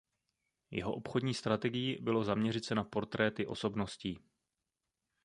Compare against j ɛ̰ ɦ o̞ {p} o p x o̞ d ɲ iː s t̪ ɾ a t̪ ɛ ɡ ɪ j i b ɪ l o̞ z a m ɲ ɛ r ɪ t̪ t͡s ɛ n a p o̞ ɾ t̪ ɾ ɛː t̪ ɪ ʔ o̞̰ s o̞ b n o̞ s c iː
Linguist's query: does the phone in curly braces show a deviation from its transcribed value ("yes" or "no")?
yes